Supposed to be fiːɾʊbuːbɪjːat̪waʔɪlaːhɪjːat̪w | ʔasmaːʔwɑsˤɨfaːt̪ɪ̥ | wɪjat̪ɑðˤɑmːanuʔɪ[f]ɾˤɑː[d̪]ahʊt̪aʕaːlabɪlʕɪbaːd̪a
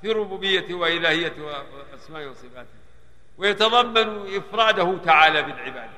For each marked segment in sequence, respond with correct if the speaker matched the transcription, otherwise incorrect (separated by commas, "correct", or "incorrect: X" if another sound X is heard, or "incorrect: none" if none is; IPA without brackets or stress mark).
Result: correct, correct